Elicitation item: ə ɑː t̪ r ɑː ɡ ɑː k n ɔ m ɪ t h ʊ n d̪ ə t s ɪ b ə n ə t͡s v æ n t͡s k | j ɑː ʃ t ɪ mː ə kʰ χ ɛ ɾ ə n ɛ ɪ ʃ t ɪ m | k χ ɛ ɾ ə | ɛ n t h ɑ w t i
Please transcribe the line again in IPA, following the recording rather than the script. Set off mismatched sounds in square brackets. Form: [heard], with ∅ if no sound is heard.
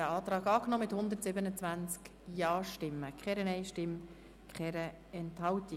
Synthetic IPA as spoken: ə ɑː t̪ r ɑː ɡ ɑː k n ɔ m ɪ t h ʊ n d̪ ə t s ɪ b ə n ə t͡s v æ n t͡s k | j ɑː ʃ t ɪ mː ə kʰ χ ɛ ɾ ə n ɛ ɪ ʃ t ɪ m | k χ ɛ ɾ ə | ɛ n t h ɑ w t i